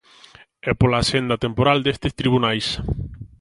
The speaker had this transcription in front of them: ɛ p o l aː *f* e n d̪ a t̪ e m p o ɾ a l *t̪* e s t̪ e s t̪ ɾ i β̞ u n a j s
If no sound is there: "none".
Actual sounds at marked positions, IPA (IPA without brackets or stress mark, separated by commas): s, d̪